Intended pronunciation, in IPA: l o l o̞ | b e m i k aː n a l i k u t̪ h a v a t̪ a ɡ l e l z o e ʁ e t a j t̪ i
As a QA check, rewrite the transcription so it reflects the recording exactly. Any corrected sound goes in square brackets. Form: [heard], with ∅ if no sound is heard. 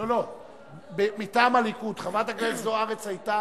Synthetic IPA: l o l o̞ | b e m i [t] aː [m] a l i k u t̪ [χ] a v a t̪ a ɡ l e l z o [a] ʁ e [t͡s] a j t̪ [a]